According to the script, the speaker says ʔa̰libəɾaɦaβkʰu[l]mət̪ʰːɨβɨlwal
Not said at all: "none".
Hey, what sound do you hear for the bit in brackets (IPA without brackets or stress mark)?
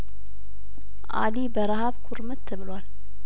ɾ